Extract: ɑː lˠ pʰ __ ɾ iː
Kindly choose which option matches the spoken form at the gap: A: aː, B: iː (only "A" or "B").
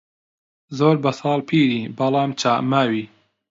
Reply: B